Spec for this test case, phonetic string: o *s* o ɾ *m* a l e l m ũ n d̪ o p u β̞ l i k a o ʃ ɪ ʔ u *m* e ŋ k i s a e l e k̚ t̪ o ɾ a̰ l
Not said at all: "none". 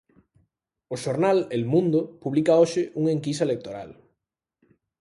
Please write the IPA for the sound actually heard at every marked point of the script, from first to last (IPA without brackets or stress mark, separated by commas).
ʃ, n, ŋ